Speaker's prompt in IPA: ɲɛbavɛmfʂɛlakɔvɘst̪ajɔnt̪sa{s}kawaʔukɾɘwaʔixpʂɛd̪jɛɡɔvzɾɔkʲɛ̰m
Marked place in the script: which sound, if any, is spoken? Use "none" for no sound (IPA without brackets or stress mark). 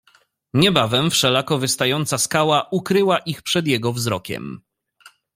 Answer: s